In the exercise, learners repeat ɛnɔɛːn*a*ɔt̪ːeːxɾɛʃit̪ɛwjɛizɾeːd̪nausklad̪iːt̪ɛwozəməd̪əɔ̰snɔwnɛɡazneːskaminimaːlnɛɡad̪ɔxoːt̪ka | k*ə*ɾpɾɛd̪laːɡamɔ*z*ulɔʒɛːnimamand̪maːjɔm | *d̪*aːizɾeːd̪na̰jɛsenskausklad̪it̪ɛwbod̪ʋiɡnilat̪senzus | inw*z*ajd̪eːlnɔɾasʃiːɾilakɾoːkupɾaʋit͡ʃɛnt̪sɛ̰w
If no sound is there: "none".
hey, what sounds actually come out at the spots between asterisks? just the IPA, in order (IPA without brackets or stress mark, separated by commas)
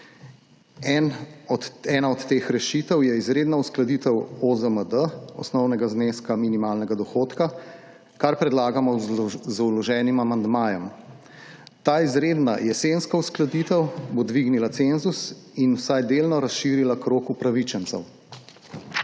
a, a, z, t̪, s